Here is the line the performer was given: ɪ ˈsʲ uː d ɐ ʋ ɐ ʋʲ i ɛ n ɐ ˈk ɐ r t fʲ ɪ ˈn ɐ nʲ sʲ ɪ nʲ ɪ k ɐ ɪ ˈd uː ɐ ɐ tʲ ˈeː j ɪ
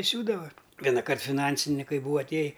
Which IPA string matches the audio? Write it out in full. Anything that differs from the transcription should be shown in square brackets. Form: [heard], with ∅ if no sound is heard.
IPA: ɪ ˈsʲ uː d ɐ ʋ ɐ ʋʲ i ɛ n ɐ ˈk ɐ r t fʲ ɪ ˈn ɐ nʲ sʲ ɪ nʲ ɪ k ɐ ɪ [ˈb] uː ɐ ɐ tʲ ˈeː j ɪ